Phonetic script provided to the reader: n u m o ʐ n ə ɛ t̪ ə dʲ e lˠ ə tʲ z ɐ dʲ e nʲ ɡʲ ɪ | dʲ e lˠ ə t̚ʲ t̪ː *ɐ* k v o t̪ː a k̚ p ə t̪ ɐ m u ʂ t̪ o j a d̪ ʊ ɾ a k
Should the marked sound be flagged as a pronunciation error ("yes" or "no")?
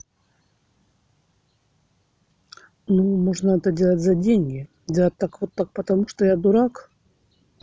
yes